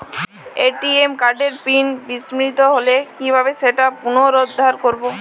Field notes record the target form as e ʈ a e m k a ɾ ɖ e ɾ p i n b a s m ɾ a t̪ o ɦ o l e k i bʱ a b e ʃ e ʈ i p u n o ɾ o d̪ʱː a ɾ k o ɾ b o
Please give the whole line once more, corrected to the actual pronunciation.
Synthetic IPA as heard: e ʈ i e m k a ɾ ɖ e ɾ p i n b i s m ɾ i t̪ o ɦ o l e k i bʱ a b e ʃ e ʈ a p u n o ɾ o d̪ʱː a ɾ k o ɾ b o